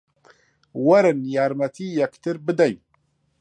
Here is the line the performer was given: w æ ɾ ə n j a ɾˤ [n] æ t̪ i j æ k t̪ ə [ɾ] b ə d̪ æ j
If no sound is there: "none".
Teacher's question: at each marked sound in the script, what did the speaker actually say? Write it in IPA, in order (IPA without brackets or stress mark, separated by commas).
m, ɾ